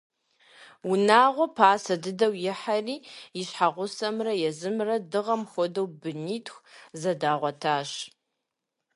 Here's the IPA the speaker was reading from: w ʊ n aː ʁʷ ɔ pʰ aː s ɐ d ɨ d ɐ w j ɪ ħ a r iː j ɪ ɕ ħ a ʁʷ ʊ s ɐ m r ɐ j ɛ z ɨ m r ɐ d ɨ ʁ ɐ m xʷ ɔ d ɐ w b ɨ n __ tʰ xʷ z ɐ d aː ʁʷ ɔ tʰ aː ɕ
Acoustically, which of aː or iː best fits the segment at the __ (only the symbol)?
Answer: iː